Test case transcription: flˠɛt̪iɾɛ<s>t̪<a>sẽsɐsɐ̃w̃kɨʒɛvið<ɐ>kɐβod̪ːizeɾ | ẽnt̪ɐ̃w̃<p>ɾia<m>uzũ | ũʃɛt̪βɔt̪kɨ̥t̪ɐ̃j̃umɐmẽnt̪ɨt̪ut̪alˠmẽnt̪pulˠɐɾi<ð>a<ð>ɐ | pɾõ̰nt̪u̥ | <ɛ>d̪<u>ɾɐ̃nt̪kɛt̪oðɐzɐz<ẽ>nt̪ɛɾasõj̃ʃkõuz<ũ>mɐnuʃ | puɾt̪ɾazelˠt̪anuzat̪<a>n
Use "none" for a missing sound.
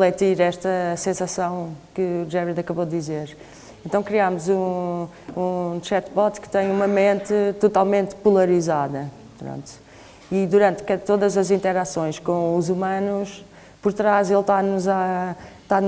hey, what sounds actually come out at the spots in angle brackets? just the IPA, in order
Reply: ʃ, ɐ, ɐ, k, m, z, ð, i, u, ĩ, u, a

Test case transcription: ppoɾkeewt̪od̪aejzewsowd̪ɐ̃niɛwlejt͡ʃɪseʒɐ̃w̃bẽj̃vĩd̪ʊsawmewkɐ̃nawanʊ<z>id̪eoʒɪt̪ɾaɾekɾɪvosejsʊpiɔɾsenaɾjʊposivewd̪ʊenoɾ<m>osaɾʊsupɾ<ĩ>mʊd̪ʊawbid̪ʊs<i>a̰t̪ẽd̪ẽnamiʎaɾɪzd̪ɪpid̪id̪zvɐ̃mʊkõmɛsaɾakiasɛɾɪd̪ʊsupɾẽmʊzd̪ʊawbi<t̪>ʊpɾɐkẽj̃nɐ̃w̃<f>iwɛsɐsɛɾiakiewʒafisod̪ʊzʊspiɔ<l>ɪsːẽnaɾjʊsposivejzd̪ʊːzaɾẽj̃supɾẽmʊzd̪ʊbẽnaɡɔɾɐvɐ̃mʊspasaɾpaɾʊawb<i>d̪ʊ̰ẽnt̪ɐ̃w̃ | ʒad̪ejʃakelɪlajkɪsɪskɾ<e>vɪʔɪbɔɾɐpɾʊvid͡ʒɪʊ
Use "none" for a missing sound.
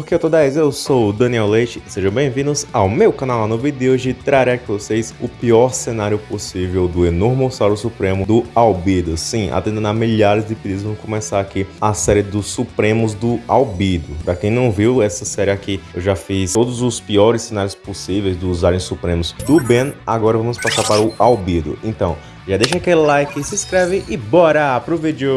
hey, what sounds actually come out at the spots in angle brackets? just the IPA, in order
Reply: v, m, ẽ, ĩ, d̪, v, ɾ, i, ɛ

